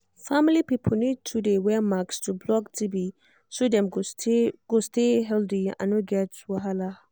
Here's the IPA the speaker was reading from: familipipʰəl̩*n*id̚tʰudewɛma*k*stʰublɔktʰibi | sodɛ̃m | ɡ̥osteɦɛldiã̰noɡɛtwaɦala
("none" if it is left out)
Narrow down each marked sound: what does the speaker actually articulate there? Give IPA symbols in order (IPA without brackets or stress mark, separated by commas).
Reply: n, k